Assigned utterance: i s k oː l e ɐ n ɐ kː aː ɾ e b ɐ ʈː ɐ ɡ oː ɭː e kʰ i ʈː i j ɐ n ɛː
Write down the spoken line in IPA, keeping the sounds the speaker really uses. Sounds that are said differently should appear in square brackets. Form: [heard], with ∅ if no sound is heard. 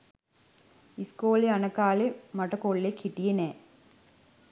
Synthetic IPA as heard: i s k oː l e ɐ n ɐ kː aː [l] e [m] ɐ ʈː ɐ [k] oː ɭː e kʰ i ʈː i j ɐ n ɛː